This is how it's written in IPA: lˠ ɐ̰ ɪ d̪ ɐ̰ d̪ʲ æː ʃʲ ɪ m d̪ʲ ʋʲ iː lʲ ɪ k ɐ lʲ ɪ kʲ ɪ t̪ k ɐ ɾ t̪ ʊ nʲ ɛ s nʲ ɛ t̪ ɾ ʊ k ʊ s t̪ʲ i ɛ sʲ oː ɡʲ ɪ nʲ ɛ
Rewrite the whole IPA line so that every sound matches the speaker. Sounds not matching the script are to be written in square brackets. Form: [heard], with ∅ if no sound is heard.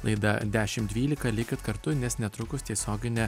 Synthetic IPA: lˠ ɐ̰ ɪ d̪ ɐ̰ d̪ʲ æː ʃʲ ɪ m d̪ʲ ʋʲ iː lʲ ɪ k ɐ lʲ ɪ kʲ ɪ t̪ k ɐ ɾ t̪ ʊ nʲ ɛ s nʲ ɛ t̪ ɾ ʊ k ʊ s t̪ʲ i ɛ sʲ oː ɡʲ ɪ nʲ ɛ